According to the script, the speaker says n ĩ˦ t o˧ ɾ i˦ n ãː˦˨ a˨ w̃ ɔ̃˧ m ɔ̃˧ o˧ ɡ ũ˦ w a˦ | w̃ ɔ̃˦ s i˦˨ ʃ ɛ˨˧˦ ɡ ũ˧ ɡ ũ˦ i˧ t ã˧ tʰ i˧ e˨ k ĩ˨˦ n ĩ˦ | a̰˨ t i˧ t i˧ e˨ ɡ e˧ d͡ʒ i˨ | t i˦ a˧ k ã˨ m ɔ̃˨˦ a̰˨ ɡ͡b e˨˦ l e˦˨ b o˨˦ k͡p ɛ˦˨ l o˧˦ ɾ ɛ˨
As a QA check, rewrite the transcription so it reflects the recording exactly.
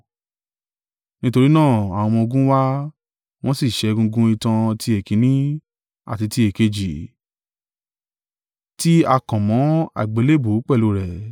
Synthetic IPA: n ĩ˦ t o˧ ɾ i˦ n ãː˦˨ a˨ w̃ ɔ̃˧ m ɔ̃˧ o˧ ɡ ũ˦ w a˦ | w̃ ɔ̃˦ s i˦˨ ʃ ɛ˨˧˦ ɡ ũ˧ ɡ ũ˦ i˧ t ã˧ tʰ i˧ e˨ k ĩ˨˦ n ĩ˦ | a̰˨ t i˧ t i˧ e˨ k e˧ d͡ʒ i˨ | t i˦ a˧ k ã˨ m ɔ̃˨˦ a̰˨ ɡ͡b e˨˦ l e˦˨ b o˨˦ k͡p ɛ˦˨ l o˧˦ ɾ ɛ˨

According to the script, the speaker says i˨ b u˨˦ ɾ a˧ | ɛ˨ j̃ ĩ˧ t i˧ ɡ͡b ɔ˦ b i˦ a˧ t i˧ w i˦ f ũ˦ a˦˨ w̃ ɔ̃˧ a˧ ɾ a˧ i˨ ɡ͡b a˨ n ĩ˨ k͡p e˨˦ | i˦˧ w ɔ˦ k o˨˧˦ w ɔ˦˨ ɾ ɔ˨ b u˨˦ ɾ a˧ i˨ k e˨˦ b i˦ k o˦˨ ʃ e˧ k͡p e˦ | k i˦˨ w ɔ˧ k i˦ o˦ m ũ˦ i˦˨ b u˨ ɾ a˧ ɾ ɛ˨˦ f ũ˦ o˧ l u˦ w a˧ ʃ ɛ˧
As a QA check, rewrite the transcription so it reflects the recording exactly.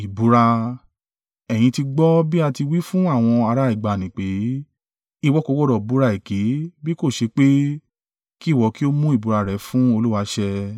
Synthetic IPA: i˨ b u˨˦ ɾ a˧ | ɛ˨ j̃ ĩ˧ t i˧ ɡ͡b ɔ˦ b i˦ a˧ t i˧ w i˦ f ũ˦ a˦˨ w̃ ɔ̃˧ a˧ ɾ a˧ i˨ ɡ͡b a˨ n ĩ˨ k͡p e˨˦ | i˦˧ w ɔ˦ k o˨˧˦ w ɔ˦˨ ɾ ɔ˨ b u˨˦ ɾ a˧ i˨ k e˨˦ b i˦ k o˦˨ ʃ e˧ k͡p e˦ | k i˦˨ w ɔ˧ k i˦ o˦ m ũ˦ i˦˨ b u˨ ɾ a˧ ɾ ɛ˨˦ f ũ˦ o˧ l u˦ w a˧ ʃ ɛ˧

